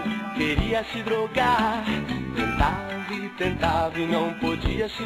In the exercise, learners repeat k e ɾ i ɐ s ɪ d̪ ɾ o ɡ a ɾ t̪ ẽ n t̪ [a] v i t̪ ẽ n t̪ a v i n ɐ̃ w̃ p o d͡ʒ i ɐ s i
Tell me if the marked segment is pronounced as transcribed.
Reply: yes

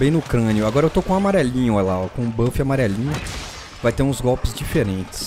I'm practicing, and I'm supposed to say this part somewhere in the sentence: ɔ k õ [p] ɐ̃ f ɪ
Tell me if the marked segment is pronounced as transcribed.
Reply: no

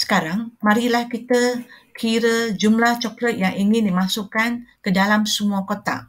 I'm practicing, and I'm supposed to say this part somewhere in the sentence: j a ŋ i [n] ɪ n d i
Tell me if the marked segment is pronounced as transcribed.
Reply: no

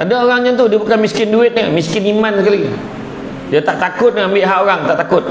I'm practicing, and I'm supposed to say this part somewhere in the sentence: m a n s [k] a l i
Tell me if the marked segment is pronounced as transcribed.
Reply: yes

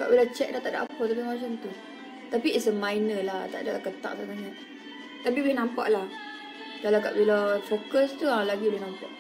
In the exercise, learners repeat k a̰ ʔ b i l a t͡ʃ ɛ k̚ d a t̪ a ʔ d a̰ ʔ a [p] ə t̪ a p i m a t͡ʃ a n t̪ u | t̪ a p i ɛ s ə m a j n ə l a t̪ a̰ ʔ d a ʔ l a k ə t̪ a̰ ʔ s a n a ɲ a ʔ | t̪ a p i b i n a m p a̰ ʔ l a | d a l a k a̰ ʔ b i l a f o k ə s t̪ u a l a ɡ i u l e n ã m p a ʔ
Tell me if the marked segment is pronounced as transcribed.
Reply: yes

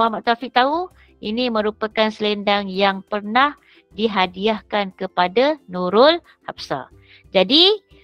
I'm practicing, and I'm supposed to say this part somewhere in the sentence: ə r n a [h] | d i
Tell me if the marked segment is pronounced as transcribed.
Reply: yes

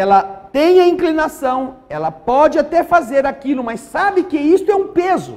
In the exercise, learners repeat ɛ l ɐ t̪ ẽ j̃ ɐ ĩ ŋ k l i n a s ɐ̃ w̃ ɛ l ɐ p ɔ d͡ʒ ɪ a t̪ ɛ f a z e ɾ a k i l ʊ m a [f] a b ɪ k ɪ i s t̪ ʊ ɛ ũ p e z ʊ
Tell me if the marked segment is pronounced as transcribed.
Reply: no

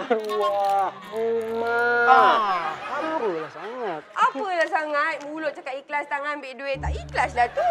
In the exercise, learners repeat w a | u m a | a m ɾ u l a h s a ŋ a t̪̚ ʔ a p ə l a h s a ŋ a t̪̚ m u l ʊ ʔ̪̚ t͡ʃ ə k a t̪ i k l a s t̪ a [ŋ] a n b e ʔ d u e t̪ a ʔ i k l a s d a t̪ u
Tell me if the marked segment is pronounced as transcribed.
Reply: yes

